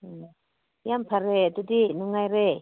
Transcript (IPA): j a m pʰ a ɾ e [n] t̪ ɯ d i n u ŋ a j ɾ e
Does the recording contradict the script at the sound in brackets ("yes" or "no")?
yes